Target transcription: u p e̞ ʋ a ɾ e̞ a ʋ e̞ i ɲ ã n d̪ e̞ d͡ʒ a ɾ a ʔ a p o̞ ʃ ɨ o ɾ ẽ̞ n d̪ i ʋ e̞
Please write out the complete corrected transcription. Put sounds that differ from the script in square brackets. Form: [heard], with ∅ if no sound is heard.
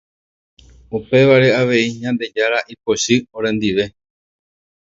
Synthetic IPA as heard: u p e̞ ʋ a ɾ e̞ a ʋ e̞ i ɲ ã n d̪ e̞ d͡ʒ a ɾ a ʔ [i] p o̞ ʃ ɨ o ɾ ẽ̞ n d̪ i ʋ e̞